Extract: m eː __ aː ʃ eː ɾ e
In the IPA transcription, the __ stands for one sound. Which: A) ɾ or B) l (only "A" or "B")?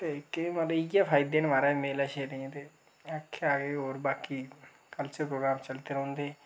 B